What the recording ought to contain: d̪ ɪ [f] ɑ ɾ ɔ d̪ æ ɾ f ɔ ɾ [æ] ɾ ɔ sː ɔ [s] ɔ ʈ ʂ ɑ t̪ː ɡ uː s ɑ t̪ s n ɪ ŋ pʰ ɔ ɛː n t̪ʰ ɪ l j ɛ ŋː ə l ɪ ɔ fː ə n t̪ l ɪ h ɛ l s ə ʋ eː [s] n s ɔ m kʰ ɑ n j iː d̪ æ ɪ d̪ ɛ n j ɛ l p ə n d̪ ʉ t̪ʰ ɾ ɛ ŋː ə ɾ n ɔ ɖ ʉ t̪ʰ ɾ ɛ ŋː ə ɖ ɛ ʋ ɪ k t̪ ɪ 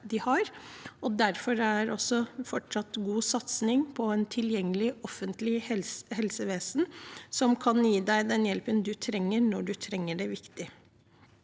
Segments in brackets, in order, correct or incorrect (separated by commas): incorrect, correct, incorrect, correct